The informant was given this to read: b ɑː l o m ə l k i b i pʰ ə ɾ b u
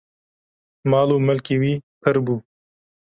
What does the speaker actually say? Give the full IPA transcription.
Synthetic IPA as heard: m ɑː l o m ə l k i w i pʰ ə ɾ b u